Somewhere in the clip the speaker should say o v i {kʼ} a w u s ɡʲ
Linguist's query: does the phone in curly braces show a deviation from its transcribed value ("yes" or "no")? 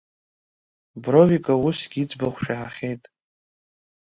no